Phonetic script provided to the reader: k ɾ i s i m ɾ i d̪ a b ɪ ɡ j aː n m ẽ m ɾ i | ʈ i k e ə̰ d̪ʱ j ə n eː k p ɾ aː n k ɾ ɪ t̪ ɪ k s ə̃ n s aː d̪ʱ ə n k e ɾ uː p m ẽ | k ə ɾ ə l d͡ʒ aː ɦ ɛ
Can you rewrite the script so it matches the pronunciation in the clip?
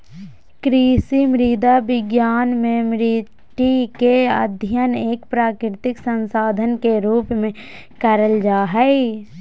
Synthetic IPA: k ɾ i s i m ɾ i d̪ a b ɪ ɡ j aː n m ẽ m ɾ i | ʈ i k e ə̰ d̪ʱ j ə n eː k p ɾ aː k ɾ ɪ t̪ ɪ k s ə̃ n s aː d̪ʱ ə n k e ɾ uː p m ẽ | k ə ɾ ə l d͡ʒ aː ɦ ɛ

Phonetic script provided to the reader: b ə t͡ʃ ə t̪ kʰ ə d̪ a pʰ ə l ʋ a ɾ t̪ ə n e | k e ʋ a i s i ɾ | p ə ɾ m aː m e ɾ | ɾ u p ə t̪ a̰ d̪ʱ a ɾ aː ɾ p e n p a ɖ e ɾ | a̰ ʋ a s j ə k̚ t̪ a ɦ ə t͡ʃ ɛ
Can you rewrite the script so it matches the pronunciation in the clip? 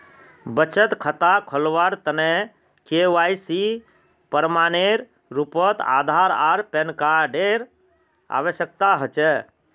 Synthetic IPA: b ə t͡ʃ ə t̪ kʰ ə t̪ a kʰ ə l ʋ a ɾ t̪ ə n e | k e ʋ a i s i | p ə ɾ m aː n e ɾ | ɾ u p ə t̪ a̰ d̪ʱ a ɾ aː ɾ p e n k a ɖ e ɾ | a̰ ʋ ə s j ə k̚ t̪ a ɦ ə t͡ʃ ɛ

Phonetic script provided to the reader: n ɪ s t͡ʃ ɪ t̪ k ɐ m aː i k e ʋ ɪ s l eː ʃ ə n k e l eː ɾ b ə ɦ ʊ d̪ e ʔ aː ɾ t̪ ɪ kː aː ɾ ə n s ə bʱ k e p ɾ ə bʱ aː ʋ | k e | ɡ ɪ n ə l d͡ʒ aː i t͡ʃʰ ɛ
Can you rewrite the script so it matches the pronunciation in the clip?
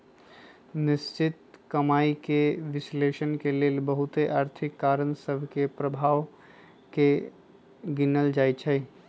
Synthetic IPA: n ɪ s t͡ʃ ɪ t̪ k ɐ m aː i k e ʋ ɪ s l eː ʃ ə n k e l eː l b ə ɦ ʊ t̪ e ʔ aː ɾ t̪ʰ ɪ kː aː ɾ ə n s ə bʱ k e p ɾ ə bʱ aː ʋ | k e | ɡ ɪ n ə l d͡ʒ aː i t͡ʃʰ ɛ

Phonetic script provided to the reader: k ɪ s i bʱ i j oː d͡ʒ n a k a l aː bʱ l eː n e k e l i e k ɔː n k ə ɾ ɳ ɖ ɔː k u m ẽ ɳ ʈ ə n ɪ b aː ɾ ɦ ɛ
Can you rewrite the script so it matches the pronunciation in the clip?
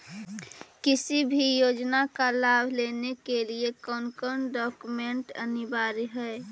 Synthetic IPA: k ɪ s i bʱ i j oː d͡ʒ n a k a l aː bʱ l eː n e k e l i e k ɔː n k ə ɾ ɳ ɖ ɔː k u m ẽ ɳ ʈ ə n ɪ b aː ɾ ɦ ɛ

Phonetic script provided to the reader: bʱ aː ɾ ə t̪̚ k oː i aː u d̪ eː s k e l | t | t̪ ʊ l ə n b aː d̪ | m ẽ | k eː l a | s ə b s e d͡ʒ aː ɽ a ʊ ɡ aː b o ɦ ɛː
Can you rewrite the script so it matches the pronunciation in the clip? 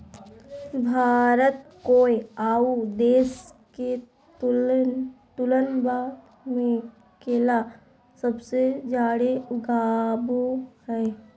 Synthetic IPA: bʱ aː ɾ ə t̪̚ k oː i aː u d̪ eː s k e | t | t̪ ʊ l ə n b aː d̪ | m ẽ | k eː l a | s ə b s e d͡ʒ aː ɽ e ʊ ɡ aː b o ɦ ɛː

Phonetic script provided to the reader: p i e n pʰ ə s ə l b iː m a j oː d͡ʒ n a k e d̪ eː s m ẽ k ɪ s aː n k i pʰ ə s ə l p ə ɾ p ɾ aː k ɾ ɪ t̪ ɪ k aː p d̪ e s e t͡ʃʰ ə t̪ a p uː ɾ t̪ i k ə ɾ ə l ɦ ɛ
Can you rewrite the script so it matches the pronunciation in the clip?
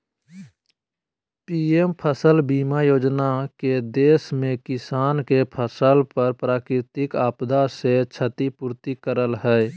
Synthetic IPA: p i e m pʰ ə s ə l b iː m a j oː d͡ʒ n a k e d̪ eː s m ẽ k ɪ s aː n k e pʰ ə s ə l p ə ɾ p ɾ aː k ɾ ɪ t̪ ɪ k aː p d̪ a s e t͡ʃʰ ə t̪ i p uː ɾ t̪ i k ə ɾ ə l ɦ ɛ

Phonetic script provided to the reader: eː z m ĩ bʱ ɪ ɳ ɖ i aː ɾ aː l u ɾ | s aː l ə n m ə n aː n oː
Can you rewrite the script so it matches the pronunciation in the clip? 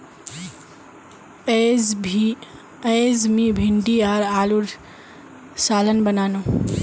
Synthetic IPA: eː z m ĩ bʱ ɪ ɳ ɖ i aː ɾ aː l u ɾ | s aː l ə n b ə n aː n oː

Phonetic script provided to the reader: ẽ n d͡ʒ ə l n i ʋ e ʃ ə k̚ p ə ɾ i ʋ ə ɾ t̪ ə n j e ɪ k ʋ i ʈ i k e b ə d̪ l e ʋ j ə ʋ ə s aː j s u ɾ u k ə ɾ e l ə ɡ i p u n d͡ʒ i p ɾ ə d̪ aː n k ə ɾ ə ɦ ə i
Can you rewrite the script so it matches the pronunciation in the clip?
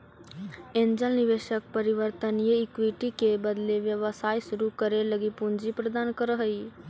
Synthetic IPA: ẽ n d͡ʒ ə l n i ʋ e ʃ ə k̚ p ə ɾ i ʋ ə ɾ t̪ ə n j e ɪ k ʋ i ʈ i k e b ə d̪ l e ʋ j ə ʋ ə s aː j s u ɾ u k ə ɾ e l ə ɡ i p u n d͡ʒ i p ɾ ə d̪ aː n k ə ɾ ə ɦ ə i

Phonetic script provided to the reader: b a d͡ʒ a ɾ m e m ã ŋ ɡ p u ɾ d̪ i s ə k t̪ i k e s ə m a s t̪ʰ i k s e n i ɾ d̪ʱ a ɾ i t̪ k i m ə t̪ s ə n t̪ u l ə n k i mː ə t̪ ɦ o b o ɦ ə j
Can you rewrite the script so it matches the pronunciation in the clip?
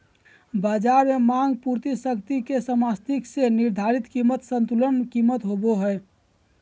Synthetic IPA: b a d͡ʒ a ɾ m e m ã ŋ ɡ p u ɾ t̪ i s ə k t̪ i k e s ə m a s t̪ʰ i k s e n i ɾ d̪ʱ a ɾ i t̪ k i m ə t̪ s ə n t̪ u l ə n k i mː ə t̪ ɦ o b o ɦ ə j

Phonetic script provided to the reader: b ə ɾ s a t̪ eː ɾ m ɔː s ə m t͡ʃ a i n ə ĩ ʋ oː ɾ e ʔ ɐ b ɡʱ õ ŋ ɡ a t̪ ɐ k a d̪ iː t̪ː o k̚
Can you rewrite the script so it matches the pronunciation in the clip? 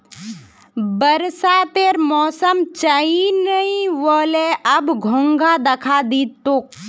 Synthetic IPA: b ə ɾ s a t̪ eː ɾ m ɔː s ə m t͡ʃ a i n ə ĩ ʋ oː l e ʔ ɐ b ɡʱ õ ŋ ɡ a d̪ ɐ kʰ a d̪ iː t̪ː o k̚

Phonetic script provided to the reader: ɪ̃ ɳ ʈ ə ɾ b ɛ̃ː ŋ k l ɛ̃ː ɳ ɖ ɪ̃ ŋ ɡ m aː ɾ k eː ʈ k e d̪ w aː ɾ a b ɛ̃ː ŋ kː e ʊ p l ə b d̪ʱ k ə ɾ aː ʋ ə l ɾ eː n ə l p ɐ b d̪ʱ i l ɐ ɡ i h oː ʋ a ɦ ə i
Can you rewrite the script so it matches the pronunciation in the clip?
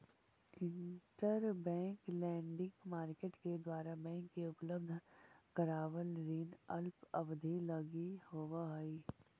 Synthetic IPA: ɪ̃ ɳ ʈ ə ɾ b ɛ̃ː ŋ k l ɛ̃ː ɳ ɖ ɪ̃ ŋ ɡ m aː ɾ k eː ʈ k e d̪ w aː ɾ a b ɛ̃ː ŋ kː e ʊ p l ə b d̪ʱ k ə ɾ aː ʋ ə l ɾ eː n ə l p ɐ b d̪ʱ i l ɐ ɡ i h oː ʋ a ɦ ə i

